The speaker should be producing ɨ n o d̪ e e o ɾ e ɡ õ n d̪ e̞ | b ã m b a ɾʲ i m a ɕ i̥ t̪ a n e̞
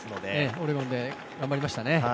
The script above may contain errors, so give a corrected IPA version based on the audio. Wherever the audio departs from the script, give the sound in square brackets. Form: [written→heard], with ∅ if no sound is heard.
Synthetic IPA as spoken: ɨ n o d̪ e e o ɾ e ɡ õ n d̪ e̞ | [b→ɡ] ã m b a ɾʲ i m a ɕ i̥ t̪ a n e̞